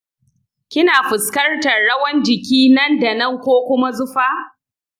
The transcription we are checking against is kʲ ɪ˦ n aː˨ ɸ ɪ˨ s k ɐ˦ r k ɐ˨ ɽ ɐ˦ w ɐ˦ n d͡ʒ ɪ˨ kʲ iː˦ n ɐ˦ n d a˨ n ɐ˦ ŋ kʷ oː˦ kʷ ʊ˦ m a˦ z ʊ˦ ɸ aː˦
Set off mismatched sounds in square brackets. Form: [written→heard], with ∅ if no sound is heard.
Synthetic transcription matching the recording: kʲ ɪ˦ n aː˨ ɸ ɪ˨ s k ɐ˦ r [k→t] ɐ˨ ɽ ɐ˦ w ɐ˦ n d͡ʒ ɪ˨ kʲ iː˦ n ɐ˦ n d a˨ n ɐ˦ ŋ kʷ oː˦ kʷ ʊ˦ m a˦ z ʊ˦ ɸ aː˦